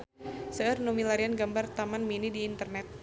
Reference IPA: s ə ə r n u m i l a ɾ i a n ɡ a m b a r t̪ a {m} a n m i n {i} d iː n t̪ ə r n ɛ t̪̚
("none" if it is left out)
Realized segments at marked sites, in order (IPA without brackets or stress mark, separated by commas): m, i